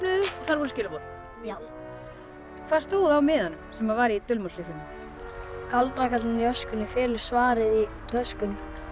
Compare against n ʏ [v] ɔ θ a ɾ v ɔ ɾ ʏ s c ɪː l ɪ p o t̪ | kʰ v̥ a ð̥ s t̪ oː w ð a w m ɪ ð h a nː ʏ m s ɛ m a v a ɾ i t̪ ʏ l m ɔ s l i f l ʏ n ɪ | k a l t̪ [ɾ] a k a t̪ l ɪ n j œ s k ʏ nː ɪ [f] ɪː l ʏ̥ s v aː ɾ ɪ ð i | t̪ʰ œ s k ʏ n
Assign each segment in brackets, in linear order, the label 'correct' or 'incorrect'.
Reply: incorrect, correct, correct

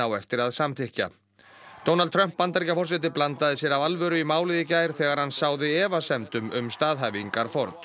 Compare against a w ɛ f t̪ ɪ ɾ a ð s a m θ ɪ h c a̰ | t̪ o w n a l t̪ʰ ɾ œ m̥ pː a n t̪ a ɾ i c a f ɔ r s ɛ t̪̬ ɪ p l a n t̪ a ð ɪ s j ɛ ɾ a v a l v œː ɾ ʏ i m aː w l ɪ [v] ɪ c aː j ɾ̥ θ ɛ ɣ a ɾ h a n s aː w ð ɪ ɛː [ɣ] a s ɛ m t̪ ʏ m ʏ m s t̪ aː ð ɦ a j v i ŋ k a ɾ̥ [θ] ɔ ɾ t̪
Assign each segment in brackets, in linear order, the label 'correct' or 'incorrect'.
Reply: incorrect, incorrect, incorrect

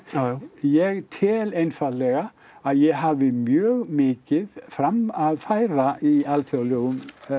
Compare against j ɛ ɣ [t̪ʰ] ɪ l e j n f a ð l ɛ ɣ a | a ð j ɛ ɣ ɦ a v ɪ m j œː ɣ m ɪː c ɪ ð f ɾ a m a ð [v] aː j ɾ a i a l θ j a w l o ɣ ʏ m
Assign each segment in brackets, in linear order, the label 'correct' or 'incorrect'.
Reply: correct, incorrect

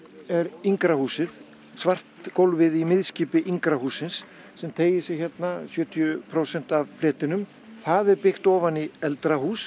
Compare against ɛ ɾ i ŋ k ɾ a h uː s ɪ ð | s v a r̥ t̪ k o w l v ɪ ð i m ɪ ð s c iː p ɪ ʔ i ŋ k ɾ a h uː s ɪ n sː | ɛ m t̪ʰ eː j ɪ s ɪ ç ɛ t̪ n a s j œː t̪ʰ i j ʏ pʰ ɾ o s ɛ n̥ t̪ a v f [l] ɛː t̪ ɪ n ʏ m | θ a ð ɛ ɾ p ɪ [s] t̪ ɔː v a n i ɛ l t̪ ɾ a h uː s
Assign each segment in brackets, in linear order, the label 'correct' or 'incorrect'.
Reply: correct, incorrect

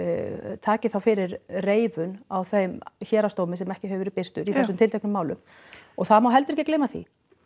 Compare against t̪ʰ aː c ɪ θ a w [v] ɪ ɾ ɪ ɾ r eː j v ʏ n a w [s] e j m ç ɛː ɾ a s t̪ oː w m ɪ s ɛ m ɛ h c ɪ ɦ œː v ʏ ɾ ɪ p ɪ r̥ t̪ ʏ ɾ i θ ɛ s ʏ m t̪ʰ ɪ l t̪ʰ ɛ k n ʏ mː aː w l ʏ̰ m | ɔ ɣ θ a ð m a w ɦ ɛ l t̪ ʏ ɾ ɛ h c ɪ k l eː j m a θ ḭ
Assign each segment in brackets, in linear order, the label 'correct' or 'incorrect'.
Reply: incorrect, incorrect

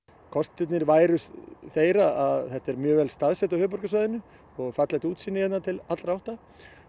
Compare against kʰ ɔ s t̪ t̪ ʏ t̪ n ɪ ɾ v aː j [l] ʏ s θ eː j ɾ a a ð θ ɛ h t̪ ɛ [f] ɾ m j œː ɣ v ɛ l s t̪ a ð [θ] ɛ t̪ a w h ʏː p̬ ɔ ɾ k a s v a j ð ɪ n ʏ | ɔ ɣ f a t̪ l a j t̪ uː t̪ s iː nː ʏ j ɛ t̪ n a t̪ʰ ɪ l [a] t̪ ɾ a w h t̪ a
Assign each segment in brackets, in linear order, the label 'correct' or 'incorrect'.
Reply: incorrect, incorrect, incorrect, correct

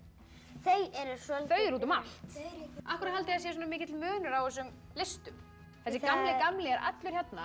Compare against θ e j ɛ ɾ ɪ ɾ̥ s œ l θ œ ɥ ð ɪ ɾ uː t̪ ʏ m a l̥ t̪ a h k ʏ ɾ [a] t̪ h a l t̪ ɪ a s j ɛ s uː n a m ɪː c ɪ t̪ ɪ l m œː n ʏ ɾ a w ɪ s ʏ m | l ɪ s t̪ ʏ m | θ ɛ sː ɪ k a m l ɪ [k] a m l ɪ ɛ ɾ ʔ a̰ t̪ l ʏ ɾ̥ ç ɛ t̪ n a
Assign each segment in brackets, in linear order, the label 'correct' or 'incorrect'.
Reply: correct, correct

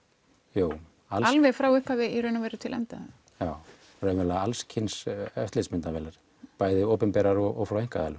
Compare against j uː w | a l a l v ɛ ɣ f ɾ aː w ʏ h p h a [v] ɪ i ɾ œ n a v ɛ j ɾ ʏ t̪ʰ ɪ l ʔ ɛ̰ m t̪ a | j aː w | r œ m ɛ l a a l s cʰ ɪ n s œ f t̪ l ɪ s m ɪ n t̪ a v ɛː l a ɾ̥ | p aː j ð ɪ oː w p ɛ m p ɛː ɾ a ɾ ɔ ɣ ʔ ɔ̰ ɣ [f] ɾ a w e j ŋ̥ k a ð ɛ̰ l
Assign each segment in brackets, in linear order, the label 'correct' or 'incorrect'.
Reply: correct, correct

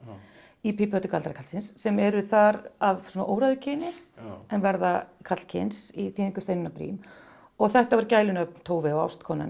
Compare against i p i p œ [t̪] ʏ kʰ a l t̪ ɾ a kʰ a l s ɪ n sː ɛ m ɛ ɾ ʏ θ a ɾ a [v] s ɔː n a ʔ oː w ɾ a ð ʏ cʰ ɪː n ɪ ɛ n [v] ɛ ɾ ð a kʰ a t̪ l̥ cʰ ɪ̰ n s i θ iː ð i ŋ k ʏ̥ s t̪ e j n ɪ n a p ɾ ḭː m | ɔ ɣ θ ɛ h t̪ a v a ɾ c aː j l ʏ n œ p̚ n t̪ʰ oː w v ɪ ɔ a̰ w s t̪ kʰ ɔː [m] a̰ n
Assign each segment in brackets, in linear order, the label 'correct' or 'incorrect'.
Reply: correct, correct, correct, incorrect

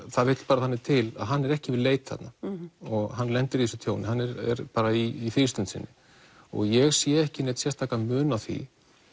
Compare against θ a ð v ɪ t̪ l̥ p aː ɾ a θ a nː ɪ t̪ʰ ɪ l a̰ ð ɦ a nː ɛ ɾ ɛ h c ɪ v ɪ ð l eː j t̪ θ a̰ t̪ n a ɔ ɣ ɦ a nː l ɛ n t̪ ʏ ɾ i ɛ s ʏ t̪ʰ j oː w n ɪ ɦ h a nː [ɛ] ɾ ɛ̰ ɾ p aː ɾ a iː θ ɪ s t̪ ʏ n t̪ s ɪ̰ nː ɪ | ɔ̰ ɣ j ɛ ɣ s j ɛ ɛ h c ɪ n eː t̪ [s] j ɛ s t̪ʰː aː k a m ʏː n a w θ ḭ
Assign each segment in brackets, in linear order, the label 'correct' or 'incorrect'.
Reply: correct, correct

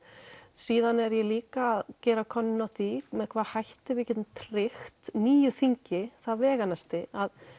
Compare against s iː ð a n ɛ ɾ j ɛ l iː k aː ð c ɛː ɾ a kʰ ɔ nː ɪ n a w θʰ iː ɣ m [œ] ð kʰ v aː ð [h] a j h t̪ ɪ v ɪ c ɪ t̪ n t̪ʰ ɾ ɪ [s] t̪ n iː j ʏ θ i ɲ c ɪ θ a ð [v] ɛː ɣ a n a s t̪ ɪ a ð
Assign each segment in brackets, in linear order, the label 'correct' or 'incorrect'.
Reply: incorrect, correct, incorrect, correct

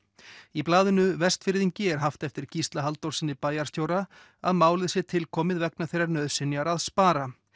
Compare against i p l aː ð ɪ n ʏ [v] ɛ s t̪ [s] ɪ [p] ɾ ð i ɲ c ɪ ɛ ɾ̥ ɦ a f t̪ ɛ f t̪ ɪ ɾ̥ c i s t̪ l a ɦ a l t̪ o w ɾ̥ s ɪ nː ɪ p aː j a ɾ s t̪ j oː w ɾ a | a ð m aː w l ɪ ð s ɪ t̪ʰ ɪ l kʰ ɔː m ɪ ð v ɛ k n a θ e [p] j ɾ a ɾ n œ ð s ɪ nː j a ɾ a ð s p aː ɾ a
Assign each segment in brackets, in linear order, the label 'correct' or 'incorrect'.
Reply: correct, incorrect, incorrect, incorrect

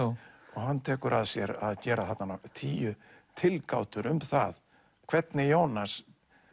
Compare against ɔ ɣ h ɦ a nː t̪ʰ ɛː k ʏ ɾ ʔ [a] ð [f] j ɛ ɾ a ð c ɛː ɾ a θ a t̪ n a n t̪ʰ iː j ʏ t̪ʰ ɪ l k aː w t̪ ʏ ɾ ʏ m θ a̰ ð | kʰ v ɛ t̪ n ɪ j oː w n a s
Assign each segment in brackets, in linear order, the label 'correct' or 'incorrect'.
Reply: correct, incorrect

